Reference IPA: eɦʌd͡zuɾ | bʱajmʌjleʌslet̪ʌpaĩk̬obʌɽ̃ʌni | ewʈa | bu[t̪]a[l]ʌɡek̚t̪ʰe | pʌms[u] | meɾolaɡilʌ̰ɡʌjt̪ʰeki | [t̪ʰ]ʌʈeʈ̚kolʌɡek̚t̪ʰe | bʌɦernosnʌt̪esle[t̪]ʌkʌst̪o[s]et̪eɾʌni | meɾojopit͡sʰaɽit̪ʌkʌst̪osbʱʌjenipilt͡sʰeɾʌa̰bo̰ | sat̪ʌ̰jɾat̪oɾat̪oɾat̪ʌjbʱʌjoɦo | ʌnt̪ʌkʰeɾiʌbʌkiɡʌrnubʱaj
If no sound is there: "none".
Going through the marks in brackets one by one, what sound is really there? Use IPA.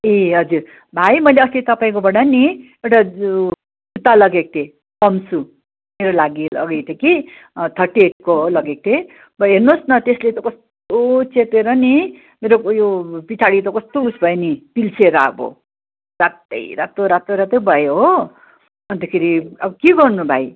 t̪, l, u, t̪ʰ, t̪, t͡s

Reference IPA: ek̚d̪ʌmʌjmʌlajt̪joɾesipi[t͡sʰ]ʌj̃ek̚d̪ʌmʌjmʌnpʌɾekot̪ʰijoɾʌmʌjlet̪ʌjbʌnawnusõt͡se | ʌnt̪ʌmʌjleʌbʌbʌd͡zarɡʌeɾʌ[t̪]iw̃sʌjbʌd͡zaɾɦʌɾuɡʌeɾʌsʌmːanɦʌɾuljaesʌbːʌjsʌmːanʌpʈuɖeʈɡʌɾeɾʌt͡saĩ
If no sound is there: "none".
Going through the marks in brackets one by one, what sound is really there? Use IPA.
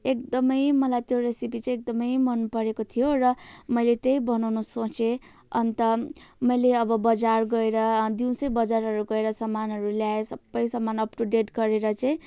t͡s, d̪

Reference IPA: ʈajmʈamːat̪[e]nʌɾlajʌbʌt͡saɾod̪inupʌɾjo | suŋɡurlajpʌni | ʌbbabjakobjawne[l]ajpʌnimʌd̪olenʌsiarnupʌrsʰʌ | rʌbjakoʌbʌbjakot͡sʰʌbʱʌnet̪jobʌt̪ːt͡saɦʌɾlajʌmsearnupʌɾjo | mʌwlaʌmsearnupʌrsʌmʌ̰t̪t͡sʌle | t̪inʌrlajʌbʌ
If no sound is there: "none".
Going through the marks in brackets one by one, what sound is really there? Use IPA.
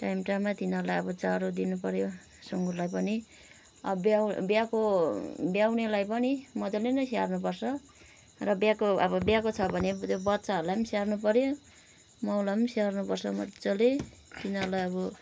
i, l

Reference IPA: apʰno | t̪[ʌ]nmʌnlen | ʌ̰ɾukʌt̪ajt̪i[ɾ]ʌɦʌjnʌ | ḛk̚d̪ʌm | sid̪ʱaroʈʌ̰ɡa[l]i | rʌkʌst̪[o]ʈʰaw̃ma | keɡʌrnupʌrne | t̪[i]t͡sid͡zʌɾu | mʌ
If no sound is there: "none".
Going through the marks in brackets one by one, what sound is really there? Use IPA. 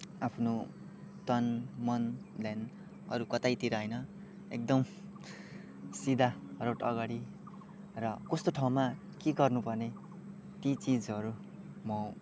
ʌ, ɾ, ɽ, o, i

